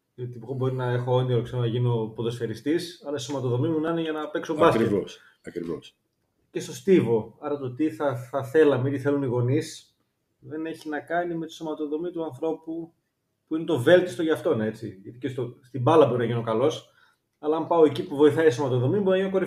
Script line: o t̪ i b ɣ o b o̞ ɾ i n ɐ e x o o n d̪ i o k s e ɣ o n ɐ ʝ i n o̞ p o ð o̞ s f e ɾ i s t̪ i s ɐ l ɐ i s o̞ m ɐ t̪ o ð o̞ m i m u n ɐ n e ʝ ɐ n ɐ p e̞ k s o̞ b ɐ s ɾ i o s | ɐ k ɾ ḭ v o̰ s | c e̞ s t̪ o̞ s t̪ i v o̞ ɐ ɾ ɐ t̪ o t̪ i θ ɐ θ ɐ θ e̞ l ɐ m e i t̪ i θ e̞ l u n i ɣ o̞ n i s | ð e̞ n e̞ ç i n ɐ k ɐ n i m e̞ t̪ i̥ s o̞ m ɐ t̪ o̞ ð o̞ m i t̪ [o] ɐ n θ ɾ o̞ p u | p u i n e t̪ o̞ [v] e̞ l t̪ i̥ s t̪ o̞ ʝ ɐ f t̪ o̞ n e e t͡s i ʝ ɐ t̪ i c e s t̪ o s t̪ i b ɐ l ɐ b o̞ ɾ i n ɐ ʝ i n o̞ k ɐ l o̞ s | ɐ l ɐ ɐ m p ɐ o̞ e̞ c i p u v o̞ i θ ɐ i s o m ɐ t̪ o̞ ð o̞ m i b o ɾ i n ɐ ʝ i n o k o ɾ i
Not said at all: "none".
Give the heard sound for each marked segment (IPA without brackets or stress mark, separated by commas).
u, v